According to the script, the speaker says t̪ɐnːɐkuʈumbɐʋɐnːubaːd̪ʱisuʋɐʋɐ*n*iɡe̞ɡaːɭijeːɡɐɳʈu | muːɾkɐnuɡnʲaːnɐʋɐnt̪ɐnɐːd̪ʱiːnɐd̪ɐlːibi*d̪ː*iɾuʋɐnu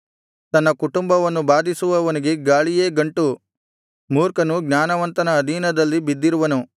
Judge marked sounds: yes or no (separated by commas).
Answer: yes, yes